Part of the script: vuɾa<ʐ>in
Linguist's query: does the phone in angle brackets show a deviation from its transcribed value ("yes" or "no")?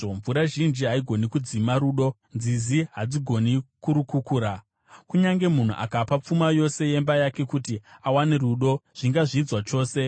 yes